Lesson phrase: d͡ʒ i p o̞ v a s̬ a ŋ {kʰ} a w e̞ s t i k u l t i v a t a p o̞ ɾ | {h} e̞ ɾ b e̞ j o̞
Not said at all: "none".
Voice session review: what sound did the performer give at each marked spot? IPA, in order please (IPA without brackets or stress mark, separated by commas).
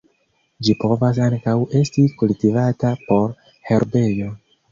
k, h